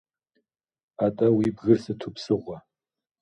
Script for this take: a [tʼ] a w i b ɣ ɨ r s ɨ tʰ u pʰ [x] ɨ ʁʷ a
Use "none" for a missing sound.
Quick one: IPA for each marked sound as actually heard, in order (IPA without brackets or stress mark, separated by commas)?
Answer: tʼ, s